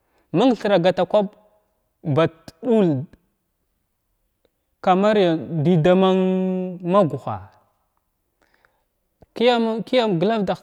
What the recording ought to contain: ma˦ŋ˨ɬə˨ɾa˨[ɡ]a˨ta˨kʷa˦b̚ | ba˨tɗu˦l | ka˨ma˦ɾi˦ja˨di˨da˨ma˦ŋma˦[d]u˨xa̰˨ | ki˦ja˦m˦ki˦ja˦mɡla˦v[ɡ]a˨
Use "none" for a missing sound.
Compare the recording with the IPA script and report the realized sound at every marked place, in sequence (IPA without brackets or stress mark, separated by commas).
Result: ɡ, ɡ, d